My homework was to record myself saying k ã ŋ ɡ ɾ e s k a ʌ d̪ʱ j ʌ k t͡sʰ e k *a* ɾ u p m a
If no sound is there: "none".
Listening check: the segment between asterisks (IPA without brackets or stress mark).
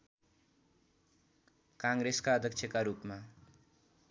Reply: a